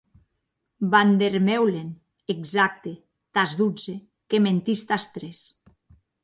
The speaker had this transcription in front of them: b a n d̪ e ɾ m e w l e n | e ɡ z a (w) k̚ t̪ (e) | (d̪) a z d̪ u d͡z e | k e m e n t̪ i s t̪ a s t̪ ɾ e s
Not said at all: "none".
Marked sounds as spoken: none, e, t̪

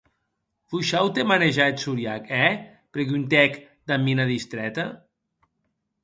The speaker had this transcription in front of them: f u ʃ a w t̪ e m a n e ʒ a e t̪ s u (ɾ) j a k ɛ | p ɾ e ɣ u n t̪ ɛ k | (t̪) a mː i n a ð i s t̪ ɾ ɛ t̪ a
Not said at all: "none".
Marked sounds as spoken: ɾ, d̪

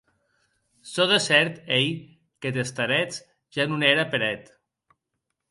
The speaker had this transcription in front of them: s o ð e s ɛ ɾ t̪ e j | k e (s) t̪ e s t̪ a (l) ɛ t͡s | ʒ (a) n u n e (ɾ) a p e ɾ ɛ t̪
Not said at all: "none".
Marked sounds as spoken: none, ɾ, a, ɾ

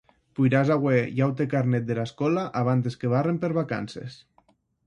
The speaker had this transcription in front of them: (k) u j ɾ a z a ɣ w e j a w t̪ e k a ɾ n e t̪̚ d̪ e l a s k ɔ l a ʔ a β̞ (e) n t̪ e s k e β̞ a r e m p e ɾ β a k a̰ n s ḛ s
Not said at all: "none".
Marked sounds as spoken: p, a

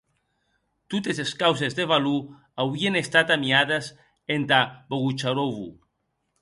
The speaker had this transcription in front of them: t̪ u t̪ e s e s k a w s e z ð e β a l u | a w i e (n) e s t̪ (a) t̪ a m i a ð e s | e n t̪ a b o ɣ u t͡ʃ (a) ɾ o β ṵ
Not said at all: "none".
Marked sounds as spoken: n, a, a

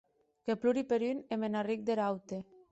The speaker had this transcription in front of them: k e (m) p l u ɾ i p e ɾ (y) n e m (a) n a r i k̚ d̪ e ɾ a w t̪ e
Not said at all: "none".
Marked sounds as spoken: none, y, e

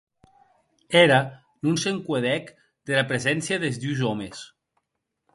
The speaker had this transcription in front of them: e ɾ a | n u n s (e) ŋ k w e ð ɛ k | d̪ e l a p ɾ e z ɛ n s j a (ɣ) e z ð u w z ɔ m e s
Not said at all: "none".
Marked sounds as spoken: e, ð

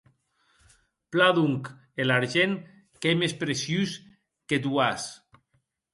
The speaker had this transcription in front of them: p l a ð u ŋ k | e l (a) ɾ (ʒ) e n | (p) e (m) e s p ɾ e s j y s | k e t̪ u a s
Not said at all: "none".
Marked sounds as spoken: a, ʒ, k, m

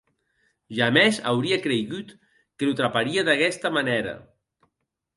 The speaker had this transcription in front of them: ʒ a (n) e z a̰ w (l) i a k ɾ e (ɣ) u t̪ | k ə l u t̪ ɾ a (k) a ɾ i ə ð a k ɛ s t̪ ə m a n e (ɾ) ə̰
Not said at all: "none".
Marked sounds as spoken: m, ɾ, ɣ, p, ɾ

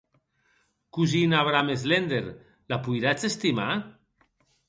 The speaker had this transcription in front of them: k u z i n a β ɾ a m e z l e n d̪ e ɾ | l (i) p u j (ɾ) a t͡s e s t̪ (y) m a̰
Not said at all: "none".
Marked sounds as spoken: a, ɾ, i

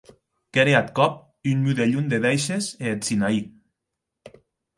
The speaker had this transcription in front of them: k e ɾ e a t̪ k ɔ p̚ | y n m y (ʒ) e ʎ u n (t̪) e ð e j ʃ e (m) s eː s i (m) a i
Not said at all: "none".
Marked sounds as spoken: ð, d̪, none, n

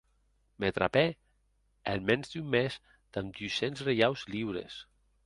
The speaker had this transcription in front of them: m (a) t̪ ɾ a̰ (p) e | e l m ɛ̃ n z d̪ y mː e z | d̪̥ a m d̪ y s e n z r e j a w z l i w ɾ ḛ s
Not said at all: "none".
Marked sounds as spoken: e, p

